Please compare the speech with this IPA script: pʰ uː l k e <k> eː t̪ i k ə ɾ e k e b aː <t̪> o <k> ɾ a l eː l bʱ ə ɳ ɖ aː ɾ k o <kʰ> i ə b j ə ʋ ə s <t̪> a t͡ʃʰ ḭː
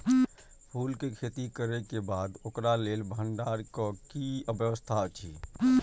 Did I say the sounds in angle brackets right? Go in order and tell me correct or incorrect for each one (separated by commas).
incorrect, incorrect, correct, incorrect, incorrect